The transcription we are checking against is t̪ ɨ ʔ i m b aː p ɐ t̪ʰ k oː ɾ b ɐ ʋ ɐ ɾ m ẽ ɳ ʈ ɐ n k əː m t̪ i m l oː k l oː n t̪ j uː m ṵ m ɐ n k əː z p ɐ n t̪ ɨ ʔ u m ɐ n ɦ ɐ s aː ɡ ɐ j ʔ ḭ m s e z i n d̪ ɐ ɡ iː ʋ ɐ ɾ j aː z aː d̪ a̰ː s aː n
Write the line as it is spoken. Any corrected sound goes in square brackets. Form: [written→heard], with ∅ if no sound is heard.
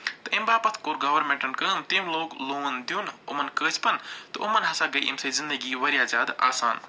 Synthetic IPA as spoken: t̪ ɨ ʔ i m b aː p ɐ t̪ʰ k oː ɾ [b→ɡ] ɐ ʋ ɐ ɾ m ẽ ɳ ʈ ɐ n k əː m t̪ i m l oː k l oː n [t̪→d̪] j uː [m→n] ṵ m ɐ n k əː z p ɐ n t̪ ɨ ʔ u m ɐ n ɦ ɐ s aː ɡ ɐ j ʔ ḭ m s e z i n d̪ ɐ ɡ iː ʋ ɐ ɾ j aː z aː d̪ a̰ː s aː n